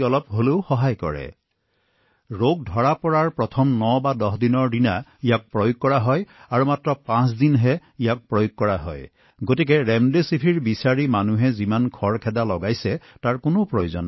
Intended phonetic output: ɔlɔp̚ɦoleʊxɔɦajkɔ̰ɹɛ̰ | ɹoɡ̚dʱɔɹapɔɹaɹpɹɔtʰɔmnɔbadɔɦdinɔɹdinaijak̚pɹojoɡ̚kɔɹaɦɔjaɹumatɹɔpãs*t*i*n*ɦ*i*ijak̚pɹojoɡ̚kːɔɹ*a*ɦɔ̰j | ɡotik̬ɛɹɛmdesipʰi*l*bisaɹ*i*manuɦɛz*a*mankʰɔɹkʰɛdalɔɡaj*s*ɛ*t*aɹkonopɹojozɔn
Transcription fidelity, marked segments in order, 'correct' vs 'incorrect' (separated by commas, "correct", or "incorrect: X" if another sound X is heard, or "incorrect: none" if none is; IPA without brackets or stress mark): incorrect: d, correct, incorrect: ɛ, correct, incorrect: ɹ, correct, incorrect: i, correct, correct